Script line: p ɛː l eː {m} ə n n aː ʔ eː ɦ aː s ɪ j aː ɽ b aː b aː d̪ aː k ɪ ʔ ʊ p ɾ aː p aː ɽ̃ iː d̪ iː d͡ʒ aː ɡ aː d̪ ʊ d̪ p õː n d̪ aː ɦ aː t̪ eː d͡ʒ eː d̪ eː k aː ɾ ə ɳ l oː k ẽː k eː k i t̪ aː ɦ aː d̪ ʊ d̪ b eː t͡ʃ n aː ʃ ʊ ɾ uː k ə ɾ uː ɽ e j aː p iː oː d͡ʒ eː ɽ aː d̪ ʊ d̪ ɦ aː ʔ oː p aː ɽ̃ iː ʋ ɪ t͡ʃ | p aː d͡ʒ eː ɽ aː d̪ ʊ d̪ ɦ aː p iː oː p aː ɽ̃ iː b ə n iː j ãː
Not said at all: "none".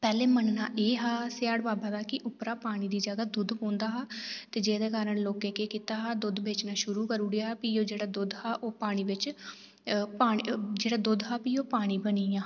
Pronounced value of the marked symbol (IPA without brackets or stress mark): m